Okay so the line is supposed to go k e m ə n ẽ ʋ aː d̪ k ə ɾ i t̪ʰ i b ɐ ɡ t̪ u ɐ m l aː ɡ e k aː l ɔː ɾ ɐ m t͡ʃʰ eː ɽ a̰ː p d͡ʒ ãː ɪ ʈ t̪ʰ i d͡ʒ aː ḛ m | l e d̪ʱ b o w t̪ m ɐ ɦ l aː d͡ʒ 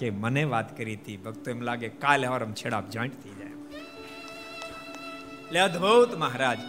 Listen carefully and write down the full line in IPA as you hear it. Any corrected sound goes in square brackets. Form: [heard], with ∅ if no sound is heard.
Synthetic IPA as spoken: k e m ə n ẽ ʋ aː [t̪] k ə ɾ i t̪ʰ i b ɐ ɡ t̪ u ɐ m l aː ɡ e k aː l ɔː ɾ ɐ m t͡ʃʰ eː ɽ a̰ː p d͡ʒ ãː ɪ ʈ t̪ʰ i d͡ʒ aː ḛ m | l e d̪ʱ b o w t̪ m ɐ ɦ [ɾ] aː d͡ʒ